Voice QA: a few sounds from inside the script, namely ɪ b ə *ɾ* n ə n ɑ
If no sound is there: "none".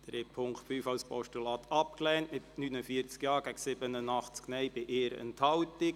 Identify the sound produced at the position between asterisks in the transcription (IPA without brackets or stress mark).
none